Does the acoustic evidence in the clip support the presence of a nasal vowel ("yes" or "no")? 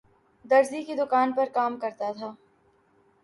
no